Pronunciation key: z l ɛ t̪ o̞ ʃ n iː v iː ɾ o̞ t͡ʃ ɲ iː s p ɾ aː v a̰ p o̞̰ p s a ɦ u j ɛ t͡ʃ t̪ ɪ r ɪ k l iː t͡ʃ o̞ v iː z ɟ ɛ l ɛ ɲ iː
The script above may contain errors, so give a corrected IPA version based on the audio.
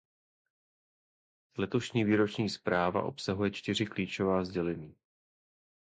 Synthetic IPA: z l ɛ t̪ o̞ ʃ ɲ iː v iː ɾ o̞ t͡ʃ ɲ iː s p ɾ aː v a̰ ʔ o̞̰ p s a ɦ u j ɛ t͡ʃ t̪ ɪ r ɪ k l iː t͡ʃ o̞ v aː z ɟ ɛ l ɛ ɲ iː